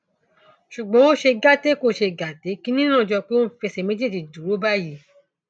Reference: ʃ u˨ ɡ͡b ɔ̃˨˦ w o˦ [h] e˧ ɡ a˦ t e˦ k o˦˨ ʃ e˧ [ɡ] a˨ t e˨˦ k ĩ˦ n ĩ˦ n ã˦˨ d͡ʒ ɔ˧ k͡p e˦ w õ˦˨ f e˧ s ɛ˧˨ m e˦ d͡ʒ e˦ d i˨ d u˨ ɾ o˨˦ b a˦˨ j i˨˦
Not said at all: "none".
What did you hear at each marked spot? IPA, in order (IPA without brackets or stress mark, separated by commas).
ʃ, ɡ